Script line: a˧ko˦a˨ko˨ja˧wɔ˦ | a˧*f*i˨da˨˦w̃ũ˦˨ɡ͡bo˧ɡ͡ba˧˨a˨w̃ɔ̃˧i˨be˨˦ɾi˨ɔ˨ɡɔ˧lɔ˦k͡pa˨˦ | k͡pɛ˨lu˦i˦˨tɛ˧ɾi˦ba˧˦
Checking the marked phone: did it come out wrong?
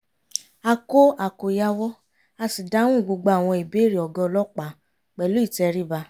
yes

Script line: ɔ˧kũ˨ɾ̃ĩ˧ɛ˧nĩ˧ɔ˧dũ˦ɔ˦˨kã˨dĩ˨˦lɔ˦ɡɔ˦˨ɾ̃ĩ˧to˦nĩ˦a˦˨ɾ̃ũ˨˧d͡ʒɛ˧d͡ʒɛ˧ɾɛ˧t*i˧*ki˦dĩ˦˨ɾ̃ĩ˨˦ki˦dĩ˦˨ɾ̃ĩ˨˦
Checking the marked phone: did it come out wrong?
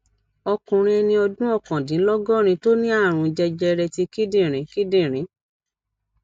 no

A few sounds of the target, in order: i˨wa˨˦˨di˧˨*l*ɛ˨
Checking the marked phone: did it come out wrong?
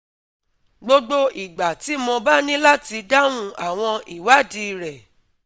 yes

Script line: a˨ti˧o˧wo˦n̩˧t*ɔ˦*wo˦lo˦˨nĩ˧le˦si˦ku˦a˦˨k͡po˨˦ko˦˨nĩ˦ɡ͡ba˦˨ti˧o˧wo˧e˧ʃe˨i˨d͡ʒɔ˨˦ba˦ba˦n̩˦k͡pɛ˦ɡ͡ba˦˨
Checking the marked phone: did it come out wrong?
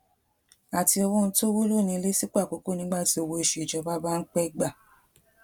yes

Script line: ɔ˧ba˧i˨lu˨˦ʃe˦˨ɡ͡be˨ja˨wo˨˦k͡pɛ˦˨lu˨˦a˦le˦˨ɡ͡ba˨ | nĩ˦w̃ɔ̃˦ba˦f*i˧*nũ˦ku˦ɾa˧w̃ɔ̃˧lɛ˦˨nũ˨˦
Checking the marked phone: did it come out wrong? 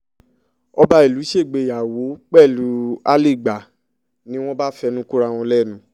yes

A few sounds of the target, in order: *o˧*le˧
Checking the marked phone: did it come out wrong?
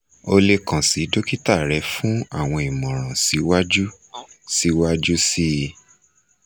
no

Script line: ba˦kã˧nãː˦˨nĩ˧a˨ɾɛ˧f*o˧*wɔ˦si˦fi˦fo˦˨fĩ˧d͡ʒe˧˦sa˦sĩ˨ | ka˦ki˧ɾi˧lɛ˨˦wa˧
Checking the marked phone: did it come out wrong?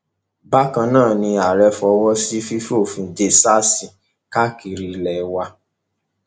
yes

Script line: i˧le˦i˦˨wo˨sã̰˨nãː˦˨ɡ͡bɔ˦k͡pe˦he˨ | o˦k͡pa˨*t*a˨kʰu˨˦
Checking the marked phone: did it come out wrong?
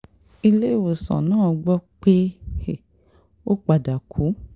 yes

